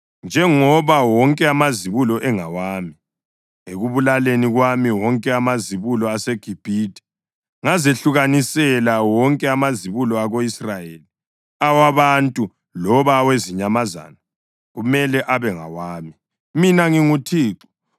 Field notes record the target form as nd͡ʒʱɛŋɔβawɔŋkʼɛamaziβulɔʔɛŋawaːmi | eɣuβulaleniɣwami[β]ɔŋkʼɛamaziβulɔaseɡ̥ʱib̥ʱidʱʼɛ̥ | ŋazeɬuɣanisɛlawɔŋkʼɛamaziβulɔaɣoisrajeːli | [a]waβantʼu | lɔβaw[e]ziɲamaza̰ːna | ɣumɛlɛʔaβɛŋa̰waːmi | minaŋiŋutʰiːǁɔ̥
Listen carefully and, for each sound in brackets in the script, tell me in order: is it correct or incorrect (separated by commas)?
incorrect, correct, correct